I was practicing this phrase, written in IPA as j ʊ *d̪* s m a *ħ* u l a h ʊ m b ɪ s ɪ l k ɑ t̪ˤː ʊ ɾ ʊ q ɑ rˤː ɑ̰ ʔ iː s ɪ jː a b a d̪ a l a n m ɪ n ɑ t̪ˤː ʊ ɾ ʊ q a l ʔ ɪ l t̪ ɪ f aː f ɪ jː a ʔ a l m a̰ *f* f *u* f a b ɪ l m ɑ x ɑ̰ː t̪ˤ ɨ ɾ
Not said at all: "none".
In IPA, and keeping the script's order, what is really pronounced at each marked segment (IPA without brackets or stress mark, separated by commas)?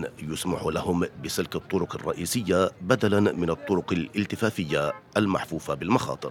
none, ħ, ħ, uː